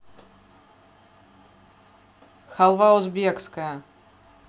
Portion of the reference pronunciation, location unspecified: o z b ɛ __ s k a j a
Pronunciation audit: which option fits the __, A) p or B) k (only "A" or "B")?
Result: B